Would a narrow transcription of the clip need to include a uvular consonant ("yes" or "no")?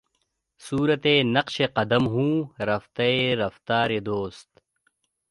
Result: yes